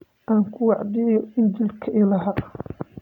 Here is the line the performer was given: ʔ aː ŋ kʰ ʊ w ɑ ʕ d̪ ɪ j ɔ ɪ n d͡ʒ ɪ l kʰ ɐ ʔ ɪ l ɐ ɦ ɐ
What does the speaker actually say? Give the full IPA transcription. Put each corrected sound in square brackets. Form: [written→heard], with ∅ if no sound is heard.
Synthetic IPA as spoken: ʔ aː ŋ kʰ ʊ w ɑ ʕ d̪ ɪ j ɔ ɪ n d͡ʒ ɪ l kʰ ɐ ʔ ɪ l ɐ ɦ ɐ